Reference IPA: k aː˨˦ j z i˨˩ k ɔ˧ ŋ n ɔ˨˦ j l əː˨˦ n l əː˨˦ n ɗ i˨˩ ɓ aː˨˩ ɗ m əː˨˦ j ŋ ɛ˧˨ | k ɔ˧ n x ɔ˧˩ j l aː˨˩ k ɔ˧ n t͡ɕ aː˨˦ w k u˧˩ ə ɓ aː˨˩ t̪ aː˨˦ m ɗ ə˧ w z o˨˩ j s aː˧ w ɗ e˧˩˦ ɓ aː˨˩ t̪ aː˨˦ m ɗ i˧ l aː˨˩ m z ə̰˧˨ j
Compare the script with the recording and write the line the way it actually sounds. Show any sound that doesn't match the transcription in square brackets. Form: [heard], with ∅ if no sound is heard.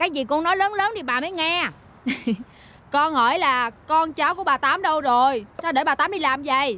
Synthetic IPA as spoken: k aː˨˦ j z i˨˩ k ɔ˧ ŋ n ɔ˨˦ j l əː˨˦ n l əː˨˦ n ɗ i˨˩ ɓ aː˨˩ [∅] m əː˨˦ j ŋ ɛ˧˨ | k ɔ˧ n [h] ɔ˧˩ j l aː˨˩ k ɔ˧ n t͡ɕ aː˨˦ w k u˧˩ ə ɓ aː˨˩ t̪ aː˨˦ m ɗ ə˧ w z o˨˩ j s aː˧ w ɗ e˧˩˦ ɓ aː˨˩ t̪ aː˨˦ m ɗ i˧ l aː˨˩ m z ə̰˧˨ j